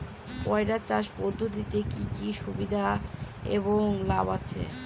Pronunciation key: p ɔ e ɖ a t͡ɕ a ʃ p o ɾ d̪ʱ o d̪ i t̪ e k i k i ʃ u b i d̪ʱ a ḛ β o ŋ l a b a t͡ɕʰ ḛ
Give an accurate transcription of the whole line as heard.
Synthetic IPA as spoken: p ɔ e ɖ a t͡ɕ a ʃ p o ɾ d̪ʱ o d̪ i t̪ e k i k i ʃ u b i d̪ʱ a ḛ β o ŋ l a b a t͡ɕʰ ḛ

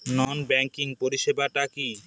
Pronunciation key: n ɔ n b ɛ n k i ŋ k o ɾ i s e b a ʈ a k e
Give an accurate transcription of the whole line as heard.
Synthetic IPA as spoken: n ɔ n b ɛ ŋ k i ŋ p o ɾ i ʃ e b a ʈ a k i

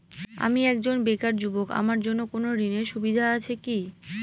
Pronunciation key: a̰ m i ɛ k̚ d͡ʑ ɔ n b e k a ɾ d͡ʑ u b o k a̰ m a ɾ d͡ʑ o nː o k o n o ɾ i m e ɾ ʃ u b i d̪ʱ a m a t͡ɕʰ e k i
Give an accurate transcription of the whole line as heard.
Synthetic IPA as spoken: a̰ m i ɛ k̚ d͡ʑ o n b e k a ɾ d͡ʑ u b o k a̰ m a ɾ d͡ʑ o nː o k o n o ɾ i n e ɾ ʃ u b i d̪ʱ a a t͡ɕʰ e k i

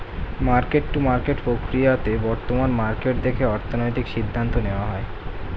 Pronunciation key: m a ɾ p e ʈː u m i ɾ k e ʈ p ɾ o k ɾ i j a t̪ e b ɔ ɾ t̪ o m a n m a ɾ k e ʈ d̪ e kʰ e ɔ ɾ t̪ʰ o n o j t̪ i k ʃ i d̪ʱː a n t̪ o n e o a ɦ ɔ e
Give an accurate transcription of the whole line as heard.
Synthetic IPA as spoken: m a ɾ k e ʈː u m a ɾ k e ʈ p ɾ o k ɾ i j a t̪ e b ɔ ɾ t̪ o m a n m a ɾ k e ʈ d̪ e kʰ e ɔ ɾ t̪ʰ o n o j t̪ i k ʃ i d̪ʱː a n t̪ o n e o a ɦ ɔ e

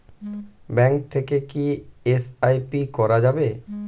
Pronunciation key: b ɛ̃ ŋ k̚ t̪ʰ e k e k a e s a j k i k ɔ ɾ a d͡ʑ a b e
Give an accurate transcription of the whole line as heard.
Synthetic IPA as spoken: b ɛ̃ ŋ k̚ t̪ʰ e k e k i e s a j p i k ɔ ɾ a d͡ʑ a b e

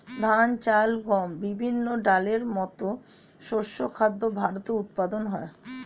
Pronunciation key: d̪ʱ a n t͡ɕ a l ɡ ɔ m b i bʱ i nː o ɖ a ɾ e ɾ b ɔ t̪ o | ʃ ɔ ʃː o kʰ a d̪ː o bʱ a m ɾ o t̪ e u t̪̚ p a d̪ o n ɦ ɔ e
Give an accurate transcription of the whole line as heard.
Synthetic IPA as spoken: d̪ʱ a n t͡ɕ a l ɡ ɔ m b i bʱ i nː o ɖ a l e ɾ m ɔ t̪ o | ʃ o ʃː o kʰ a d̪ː o bʱ a ɾ o t̪ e u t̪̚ p a d̪ o n ɦ ɔ e

